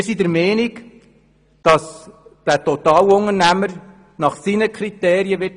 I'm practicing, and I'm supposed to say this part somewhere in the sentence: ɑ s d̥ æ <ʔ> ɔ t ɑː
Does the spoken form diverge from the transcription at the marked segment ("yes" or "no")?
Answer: yes